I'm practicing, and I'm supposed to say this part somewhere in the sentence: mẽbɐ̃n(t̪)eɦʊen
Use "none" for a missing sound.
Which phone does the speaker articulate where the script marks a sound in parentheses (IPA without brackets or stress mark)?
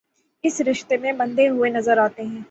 d̪